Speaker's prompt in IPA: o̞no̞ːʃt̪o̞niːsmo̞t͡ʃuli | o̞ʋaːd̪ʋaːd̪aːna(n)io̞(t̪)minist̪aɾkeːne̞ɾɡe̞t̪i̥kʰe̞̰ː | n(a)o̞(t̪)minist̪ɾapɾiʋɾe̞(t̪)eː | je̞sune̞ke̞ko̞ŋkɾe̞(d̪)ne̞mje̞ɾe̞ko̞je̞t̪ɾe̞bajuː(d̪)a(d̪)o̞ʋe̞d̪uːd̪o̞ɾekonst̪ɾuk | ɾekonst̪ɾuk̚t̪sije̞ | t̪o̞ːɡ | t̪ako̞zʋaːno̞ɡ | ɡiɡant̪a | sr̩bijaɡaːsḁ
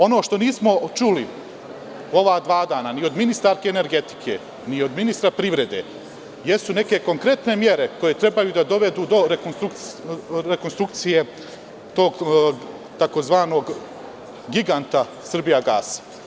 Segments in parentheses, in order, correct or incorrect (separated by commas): correct, incorrect, incorrect, incorrect, incorrect, incorrect, correct, correct